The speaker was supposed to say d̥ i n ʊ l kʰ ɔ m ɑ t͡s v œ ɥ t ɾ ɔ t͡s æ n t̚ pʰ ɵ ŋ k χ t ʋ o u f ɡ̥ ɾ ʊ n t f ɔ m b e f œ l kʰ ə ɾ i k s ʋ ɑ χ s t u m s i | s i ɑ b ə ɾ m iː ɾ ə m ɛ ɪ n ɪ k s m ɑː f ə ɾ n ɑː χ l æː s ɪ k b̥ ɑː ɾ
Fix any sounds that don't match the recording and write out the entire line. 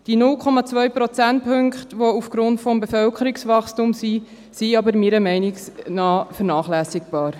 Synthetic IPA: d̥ i n ʊ l kʰ ɔ m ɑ t͡s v œ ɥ p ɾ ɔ t͡s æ n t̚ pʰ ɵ ŋ k χ t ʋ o u f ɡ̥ ɾ ʊ n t f ɔ m b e f œ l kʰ ə ɾ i k s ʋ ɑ χ s t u m s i | s i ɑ b ə ɾ m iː ɾ ə m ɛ ɪ n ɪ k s n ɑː f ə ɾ n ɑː χ l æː s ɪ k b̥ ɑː ɾ